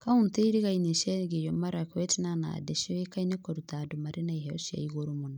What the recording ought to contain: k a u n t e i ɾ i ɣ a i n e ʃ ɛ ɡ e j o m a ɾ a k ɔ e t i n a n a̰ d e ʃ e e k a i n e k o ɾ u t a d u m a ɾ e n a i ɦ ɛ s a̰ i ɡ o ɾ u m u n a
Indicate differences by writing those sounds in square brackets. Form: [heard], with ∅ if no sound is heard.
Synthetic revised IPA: k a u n t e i ɾ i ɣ a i n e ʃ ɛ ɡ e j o m a ɾ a k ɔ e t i n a n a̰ d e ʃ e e k a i n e k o ɾ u t a d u m a ɾ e n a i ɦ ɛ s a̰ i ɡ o ɾ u m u n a